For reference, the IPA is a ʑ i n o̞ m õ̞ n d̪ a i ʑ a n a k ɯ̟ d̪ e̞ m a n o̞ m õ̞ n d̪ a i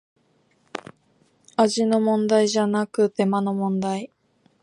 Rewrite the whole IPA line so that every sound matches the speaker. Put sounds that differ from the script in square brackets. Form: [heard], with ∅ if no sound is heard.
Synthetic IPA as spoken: a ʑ i n o̞ m õ̞ n d̪ a i ʑ a n a k ɯ̟ [t̪] e̞ m a n o̞ m õ̞ n d̪ a i